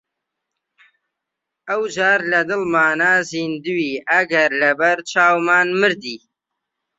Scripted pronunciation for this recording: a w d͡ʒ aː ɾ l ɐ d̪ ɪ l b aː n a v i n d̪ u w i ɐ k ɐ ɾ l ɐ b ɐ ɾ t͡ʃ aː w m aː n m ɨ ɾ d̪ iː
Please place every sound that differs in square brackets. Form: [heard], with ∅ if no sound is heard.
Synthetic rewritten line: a w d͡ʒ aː ɾ l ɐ d̪ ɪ l [m] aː n a [z] i n d̪ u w i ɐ [ɡ] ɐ ɾ l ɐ b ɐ ɾ t͡ʃ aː w m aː n m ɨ ɾ d̪ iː